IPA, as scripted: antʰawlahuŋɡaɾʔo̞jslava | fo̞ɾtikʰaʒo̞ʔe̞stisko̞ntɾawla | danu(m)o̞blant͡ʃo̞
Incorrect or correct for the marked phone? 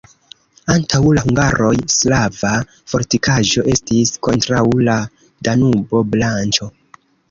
incorrect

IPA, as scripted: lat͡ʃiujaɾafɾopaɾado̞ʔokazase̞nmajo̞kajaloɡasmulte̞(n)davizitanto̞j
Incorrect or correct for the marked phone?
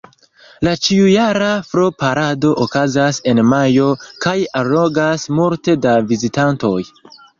incorrect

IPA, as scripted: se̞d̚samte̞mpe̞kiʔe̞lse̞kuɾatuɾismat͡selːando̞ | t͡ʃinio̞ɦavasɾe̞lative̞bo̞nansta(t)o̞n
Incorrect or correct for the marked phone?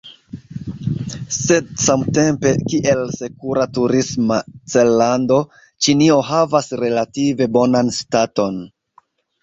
correct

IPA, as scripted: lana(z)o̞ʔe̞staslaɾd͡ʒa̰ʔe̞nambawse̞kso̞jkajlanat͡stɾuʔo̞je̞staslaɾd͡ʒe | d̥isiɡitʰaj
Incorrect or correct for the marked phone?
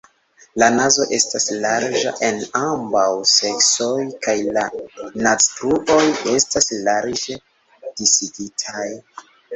correct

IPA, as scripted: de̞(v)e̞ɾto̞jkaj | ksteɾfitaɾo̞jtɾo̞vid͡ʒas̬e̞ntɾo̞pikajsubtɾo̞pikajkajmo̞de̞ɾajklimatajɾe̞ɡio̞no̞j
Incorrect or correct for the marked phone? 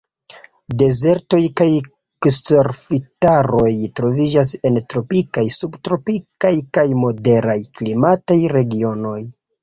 incorrect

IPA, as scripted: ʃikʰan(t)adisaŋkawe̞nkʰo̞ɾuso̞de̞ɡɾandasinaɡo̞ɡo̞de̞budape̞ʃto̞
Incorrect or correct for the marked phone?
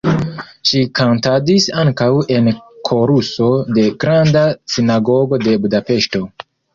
correct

